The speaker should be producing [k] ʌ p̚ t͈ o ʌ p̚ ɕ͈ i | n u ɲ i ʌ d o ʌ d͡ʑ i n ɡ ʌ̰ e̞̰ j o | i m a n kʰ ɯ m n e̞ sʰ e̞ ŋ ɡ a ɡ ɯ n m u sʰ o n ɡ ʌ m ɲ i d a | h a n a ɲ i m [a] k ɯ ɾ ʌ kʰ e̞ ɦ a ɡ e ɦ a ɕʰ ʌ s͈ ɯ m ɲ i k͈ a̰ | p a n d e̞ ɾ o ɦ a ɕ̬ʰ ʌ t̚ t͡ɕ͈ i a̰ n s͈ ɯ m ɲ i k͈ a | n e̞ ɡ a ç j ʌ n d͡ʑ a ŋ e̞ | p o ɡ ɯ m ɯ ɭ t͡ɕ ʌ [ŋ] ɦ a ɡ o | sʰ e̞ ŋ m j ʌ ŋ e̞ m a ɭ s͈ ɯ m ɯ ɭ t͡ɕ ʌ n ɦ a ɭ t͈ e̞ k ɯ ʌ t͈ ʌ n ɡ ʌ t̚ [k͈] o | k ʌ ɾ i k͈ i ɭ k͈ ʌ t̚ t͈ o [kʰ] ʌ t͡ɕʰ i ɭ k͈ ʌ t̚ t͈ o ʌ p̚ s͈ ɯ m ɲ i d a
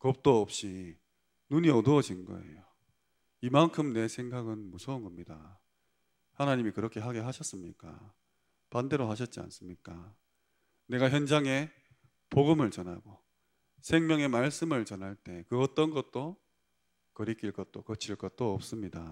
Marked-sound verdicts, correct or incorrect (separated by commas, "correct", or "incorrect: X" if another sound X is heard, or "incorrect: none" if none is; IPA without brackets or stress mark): correct, incorrect: i, incorrect: n, incorrect: t͈, incorrect: k